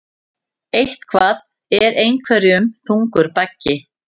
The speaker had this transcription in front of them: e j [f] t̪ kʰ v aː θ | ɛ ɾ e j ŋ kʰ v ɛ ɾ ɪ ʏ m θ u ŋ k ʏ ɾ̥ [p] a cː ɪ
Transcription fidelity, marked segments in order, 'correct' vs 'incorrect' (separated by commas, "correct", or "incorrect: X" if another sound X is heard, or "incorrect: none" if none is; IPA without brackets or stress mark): incorrect: h, correct